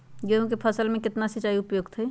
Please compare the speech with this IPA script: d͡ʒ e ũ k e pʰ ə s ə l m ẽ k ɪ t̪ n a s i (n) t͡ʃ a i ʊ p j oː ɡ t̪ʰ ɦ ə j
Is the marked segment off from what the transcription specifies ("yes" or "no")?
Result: yes